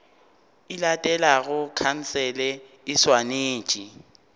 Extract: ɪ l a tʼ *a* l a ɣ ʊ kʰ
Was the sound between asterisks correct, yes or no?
no